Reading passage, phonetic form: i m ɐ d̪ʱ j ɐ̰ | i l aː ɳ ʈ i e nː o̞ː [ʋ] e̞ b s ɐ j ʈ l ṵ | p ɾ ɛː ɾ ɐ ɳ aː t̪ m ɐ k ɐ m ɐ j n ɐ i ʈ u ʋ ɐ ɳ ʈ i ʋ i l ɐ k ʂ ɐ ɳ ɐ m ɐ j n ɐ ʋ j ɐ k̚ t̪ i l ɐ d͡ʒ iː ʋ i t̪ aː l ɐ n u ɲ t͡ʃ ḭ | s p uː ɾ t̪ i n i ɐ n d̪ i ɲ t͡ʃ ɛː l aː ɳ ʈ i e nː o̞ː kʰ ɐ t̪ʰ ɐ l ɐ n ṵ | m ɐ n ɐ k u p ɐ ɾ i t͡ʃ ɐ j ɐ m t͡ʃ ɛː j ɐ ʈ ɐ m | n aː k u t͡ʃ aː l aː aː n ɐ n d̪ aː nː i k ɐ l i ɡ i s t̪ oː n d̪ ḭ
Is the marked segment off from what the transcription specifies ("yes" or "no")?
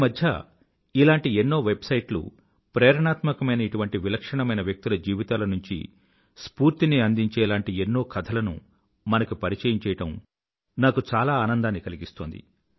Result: no